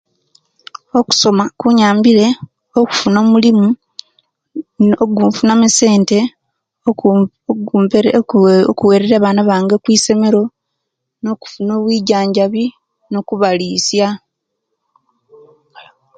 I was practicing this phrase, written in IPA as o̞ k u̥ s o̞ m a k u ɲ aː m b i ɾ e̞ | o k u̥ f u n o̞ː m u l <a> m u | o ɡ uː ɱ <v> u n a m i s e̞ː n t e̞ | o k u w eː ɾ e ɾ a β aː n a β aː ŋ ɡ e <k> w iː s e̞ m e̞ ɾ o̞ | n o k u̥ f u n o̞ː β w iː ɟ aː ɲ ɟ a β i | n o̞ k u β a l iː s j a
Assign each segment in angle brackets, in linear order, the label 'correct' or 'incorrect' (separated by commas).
incorrect, incorrect, correct